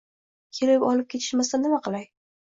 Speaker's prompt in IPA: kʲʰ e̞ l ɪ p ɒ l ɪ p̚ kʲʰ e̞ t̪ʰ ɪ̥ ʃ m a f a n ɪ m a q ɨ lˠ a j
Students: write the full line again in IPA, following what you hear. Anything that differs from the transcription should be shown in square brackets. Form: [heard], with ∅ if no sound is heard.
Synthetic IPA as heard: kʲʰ e̞ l ɪ p ɒ l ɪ p̚ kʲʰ e̞ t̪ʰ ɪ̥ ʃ m a [s] a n ɪ m a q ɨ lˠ a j